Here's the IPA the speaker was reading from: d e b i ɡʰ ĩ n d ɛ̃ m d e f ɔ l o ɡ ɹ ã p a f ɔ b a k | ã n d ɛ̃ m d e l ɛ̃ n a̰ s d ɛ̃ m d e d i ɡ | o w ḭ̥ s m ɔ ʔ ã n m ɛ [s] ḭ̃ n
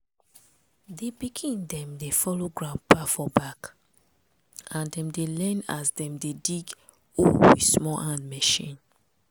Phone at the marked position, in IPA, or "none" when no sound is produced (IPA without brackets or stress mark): ʃ